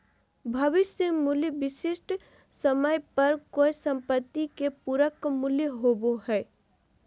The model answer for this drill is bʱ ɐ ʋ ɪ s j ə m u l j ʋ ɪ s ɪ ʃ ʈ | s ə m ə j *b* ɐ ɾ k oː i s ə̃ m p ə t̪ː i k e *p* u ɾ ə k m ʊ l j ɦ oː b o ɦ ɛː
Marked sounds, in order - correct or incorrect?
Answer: incorrect, correct

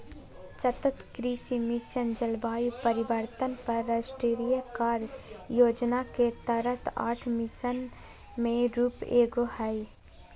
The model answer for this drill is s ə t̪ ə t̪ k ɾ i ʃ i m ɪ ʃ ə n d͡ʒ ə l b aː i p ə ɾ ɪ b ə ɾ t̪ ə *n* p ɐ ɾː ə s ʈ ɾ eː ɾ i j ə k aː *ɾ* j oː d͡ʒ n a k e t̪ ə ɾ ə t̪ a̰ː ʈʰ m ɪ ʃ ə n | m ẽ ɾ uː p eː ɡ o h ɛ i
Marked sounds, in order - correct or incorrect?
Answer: correct, correct

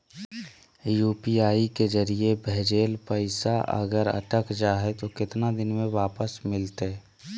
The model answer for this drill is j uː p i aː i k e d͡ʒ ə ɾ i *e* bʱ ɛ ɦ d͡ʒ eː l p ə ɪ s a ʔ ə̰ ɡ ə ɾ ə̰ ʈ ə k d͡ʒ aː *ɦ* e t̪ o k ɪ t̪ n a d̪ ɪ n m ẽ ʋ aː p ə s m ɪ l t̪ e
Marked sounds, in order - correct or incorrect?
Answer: correct, correct

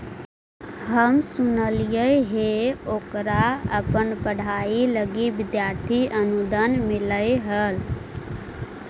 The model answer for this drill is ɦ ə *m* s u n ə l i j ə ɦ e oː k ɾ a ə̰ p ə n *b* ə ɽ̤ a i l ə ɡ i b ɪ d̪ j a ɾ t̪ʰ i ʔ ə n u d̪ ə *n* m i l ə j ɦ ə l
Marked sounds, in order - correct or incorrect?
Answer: correct, incorrect, correct

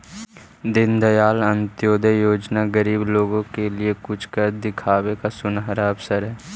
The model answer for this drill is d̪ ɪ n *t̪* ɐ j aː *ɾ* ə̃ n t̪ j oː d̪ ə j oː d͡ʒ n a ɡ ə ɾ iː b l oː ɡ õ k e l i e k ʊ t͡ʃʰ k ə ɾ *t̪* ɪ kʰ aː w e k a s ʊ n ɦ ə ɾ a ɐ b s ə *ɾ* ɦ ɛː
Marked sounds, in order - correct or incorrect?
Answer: incorrect, incorrect, incorrect, correct

